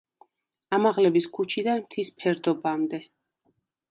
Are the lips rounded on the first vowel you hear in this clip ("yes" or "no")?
no